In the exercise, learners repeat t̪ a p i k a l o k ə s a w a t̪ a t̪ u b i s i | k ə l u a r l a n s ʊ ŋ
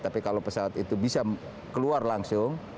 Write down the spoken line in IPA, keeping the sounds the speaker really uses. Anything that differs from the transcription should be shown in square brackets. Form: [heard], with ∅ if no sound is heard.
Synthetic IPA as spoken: t̪ a p i k a l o [p] ə s a w a t̪ [i] t̪ u b i s [a] | k ə l u a r l a [ŋ] s ʊ ŋ